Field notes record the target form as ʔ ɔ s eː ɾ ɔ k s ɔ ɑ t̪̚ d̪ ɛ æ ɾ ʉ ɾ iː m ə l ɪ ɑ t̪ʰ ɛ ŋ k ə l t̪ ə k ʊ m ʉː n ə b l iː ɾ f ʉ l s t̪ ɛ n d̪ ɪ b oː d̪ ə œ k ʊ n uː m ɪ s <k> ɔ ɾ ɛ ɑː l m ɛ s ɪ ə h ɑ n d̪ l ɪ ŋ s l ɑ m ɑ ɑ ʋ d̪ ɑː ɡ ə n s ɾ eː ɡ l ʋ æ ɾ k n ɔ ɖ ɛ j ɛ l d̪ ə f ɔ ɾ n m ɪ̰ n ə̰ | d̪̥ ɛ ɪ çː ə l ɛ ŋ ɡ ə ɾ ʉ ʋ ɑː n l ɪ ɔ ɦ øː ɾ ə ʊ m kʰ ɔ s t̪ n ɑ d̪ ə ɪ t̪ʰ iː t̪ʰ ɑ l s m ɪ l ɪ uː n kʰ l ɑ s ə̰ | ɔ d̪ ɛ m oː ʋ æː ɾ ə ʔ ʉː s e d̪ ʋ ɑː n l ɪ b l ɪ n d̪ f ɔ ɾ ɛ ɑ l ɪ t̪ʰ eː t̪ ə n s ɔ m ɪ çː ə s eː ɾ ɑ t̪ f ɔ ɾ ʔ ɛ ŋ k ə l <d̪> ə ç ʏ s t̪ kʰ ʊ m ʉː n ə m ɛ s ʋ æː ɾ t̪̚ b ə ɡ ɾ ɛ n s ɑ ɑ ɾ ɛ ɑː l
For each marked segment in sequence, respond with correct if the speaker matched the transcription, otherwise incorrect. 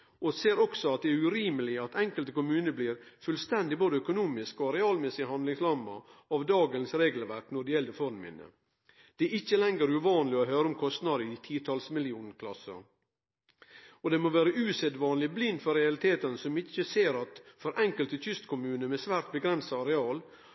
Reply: correct, incorrect

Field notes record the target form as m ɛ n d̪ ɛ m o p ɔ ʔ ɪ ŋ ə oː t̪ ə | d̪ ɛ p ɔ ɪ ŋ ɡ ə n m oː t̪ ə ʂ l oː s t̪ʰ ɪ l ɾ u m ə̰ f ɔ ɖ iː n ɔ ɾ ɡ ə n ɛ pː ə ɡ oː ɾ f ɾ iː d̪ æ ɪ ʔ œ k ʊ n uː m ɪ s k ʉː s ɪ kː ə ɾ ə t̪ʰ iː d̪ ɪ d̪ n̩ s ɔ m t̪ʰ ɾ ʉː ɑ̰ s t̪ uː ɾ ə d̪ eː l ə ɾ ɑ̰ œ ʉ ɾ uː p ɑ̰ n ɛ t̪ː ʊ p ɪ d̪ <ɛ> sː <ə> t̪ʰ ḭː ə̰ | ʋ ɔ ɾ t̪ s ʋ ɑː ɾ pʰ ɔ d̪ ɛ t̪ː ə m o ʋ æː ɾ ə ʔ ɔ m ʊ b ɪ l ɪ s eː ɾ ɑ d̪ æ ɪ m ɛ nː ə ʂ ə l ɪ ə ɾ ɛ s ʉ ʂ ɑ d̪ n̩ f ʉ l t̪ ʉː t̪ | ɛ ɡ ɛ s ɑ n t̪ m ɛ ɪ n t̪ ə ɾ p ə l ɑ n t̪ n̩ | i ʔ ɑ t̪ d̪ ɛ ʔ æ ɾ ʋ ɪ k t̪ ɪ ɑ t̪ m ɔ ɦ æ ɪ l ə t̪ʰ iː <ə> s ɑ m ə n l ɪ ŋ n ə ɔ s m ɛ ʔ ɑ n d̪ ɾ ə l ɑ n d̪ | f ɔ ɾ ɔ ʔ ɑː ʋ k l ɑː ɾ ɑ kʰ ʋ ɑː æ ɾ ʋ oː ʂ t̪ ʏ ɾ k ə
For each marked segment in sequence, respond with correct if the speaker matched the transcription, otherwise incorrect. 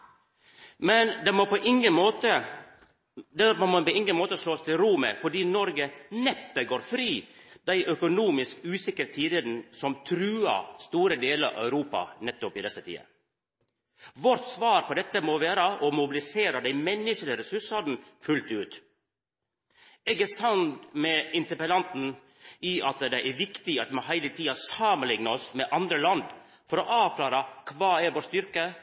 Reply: correct, correct, incorrect

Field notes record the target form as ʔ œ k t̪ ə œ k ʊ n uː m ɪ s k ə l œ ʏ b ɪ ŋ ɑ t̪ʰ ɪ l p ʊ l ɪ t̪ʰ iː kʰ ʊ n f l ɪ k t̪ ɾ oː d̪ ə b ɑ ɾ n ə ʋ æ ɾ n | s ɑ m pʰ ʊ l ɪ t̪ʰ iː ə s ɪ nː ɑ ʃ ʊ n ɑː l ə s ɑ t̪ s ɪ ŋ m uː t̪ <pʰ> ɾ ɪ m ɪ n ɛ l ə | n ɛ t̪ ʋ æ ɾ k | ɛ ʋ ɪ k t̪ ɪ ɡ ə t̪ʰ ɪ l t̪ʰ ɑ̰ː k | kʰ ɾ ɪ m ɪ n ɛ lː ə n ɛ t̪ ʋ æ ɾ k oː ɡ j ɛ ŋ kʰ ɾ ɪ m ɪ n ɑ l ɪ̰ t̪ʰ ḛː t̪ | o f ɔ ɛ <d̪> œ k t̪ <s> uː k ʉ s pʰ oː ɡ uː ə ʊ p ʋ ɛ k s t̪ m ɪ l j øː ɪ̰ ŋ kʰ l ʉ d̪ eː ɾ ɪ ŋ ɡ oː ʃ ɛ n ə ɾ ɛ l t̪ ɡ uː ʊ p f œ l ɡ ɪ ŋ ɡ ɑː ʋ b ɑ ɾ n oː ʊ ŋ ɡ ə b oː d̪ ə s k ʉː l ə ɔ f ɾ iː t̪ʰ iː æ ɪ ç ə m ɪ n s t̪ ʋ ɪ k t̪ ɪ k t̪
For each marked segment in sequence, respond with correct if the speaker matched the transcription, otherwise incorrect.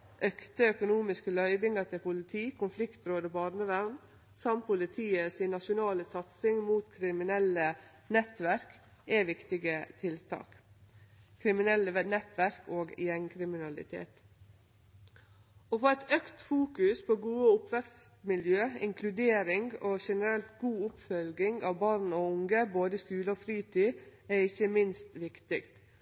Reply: incorrect, incorrect, incorrect

